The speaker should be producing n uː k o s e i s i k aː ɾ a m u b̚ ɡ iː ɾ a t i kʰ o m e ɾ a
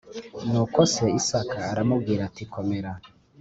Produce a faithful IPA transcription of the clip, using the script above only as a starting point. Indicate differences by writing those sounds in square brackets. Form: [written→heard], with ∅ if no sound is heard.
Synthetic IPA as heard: n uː k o s e i s [i→a] k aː ɾ a m u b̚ ɡ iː ɾ a t i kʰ o m e ɾ a